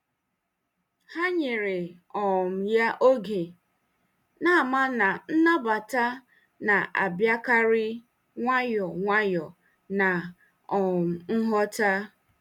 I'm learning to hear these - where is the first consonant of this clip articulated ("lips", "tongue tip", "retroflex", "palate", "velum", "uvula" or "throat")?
throat